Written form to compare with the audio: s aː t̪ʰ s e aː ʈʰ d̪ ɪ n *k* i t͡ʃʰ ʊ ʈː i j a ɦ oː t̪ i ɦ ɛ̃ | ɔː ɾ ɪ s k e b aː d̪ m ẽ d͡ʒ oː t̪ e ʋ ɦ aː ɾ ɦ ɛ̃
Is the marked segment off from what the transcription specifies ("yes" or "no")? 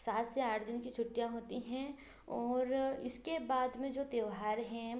no